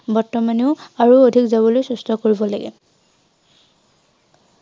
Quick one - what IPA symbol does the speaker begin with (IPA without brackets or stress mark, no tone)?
b